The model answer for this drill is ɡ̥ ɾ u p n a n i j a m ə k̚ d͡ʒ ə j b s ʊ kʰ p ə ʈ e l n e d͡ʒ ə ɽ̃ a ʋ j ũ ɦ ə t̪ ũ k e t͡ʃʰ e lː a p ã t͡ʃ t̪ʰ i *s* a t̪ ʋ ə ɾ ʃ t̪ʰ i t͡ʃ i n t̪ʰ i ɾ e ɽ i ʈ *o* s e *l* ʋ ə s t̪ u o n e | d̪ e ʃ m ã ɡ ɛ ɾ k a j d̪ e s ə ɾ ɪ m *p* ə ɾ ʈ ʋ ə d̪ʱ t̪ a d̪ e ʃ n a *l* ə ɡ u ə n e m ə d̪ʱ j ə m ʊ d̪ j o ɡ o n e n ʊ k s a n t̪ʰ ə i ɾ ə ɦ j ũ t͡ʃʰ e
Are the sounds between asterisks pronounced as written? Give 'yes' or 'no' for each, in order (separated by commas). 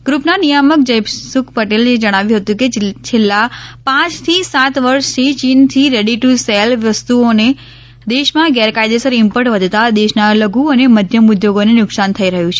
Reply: yes, no, yes, yes, yes